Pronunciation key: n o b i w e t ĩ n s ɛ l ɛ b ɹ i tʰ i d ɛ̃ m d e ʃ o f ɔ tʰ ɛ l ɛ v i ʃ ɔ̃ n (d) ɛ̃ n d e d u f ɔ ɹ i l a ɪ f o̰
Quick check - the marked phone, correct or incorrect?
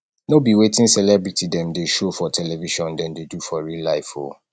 correct